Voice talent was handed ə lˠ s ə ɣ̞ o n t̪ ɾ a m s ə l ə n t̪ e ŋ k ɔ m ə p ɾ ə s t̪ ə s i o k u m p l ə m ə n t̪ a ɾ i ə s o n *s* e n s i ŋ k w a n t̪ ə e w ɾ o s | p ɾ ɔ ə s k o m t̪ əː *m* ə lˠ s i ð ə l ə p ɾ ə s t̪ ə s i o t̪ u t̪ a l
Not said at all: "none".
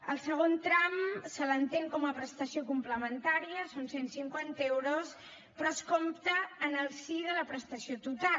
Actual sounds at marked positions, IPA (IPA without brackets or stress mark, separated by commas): s, n